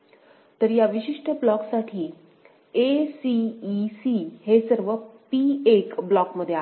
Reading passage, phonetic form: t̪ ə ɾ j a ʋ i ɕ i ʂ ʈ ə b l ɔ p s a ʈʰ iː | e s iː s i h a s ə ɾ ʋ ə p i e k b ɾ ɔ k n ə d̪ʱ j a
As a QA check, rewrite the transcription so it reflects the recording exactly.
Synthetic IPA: t̪ ə ɾ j a ʋ i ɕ i ʂ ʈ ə b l ɔ k s a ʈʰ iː | e s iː s i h e s ə ɾ ʋ ə p i e k b l ɔ k m ə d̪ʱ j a